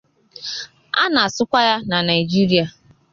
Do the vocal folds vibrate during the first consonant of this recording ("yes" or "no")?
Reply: yes